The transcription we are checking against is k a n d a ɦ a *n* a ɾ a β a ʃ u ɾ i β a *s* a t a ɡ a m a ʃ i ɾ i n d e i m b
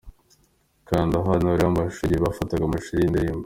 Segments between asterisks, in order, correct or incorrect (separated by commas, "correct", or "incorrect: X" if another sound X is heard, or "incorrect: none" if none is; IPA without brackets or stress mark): correct, incorrect: f